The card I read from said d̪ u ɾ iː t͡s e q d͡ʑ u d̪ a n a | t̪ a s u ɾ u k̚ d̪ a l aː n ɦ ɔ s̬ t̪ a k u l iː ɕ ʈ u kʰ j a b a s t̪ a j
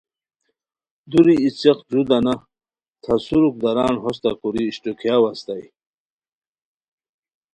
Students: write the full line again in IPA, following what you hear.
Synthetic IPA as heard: d̪ u ɾ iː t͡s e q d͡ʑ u d̪ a n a | t̪ʰ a s u ɾ u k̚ d̪ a ɾ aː n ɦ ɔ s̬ t̪ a k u ɾ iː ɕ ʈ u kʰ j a w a s t̪ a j